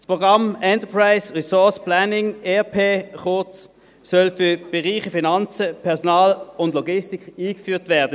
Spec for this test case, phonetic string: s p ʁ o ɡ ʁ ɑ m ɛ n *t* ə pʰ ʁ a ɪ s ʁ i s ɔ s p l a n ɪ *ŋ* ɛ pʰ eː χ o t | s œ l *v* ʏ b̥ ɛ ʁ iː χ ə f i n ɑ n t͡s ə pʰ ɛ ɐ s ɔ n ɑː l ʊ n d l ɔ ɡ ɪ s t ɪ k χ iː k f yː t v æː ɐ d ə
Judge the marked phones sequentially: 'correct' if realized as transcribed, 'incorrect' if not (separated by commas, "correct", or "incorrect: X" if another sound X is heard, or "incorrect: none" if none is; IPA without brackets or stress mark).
correct, correct, incorrect: f